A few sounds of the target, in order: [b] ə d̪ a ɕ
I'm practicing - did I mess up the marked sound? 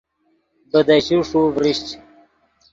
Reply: no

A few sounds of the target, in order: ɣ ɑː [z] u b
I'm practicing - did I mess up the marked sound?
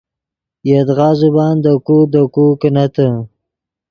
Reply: no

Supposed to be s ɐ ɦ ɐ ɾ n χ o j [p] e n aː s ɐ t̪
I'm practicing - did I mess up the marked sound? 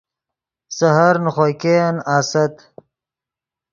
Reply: yes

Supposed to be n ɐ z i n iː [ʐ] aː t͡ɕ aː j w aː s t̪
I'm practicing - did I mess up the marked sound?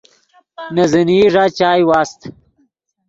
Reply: no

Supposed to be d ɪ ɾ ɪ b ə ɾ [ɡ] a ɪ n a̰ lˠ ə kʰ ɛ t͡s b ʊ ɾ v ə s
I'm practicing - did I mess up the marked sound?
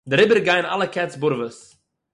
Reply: no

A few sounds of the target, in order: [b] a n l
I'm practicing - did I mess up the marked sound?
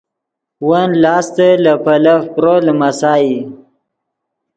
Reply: yes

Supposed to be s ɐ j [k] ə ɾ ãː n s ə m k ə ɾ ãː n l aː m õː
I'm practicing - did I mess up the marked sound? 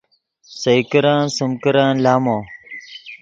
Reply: no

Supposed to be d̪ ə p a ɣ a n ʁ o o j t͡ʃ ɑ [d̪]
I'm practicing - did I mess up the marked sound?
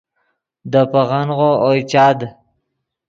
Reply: no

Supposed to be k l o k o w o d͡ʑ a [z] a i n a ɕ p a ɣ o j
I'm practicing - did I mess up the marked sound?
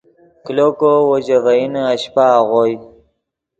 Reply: yes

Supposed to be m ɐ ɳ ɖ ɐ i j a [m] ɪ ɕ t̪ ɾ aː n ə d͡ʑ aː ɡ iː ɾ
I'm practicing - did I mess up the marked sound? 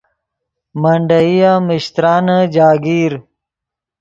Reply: no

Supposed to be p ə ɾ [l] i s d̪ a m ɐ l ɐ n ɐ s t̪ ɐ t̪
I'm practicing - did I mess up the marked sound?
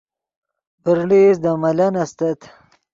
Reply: no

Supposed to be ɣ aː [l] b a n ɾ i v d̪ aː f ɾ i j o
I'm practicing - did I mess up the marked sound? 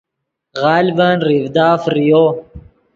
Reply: no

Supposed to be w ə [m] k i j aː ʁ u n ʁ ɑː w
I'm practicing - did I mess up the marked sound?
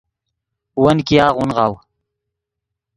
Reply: yes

